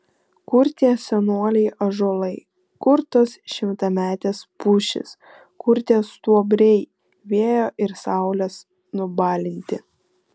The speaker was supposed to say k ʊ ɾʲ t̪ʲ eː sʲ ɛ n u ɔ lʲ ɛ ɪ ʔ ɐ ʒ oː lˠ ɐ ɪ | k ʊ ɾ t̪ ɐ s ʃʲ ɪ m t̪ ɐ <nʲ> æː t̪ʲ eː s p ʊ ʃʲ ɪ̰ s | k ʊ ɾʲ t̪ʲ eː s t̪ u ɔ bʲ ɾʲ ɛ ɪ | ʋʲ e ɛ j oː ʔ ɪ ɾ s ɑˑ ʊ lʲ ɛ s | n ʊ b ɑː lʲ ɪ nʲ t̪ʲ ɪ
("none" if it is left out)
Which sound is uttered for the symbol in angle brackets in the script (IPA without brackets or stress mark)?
mʲ